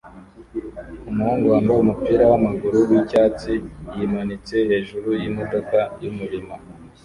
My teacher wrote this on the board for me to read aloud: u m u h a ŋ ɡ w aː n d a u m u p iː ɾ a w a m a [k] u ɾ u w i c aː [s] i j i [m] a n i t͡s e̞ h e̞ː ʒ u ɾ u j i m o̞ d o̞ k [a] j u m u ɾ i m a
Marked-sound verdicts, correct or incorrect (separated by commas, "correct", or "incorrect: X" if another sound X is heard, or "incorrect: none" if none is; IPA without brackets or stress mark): incorrect: ɡ, incorrect: t͡s, correct, correct